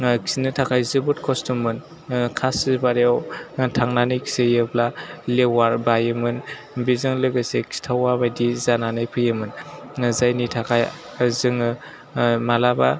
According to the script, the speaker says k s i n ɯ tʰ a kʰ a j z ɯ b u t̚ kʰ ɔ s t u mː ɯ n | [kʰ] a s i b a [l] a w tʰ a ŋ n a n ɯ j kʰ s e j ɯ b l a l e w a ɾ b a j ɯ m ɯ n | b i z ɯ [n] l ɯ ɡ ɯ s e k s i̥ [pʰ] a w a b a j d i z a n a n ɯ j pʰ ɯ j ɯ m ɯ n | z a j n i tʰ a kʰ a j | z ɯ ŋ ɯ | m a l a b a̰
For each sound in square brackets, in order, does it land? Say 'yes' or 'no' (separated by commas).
yes, no, no, no